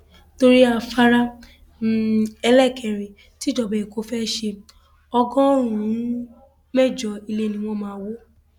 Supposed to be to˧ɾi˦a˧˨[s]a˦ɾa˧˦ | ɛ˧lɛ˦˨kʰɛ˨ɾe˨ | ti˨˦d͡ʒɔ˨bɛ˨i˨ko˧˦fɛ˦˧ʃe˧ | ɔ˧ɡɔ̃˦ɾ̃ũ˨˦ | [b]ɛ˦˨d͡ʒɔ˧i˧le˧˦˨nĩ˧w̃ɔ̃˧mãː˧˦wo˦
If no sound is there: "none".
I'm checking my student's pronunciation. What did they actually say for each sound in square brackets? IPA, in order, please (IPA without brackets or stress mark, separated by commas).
f, m